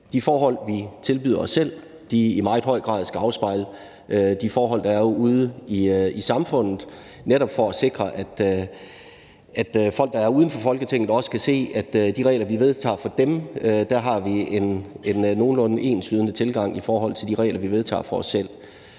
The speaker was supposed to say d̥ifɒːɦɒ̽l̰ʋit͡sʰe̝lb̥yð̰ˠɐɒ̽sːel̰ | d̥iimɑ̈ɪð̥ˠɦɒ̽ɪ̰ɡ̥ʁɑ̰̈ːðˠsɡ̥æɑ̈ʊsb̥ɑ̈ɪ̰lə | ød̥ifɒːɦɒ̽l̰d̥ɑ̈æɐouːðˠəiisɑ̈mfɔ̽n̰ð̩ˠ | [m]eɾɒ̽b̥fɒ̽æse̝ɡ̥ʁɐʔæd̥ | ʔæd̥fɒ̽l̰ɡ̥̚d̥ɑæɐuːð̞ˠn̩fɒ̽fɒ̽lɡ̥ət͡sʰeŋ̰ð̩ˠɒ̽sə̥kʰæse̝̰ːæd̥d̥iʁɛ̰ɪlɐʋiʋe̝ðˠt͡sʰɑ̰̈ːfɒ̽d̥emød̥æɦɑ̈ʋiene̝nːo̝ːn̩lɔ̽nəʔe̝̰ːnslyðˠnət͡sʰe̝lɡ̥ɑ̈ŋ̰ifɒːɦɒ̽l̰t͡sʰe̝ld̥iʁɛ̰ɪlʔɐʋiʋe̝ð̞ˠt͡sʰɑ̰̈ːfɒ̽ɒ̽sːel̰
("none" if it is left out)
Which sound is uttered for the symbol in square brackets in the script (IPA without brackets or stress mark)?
n